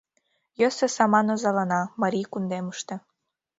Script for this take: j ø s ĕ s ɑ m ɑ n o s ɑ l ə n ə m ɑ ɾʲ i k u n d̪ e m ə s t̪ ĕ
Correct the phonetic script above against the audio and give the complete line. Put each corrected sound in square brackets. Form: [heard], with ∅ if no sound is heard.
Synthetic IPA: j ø s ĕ s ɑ m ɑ n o [z] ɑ l [ɑ] n [ɑ] m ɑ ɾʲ i k u n d̪ e m ə [ʃ] t̪ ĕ

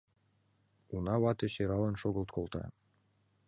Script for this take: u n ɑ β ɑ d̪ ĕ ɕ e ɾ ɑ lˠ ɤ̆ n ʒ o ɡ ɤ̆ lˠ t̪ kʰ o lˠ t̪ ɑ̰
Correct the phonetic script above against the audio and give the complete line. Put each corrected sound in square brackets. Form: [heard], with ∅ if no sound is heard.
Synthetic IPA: u n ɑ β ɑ [t̪] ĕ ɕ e ɾ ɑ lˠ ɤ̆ n [ʃ] o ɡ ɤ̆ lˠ t̪ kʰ o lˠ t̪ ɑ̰

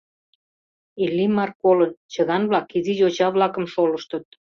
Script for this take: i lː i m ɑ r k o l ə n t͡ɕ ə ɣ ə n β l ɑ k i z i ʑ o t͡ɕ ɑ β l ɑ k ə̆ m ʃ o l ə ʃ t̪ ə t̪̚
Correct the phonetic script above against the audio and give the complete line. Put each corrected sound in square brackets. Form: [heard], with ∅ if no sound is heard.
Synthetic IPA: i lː i m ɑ r k o l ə n t͡ɕ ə ɣ [ɑ] n β l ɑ k i z i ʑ o t͡ɕ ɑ β l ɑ k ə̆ m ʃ o l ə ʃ t̪ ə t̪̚

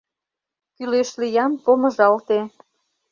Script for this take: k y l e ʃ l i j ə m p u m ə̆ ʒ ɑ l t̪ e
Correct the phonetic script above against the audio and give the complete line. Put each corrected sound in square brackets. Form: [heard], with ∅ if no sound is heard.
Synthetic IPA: k y l e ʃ l i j [ɑ] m p [o] m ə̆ ʒ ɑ l t̪ e

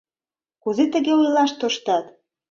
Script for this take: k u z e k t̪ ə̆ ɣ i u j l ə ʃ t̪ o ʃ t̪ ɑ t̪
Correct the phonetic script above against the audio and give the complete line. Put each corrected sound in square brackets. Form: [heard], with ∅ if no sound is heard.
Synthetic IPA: k u z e [∅] t̪ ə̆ ɣ [e] u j l [ɑ] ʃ t̪ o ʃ t̪ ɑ t̪

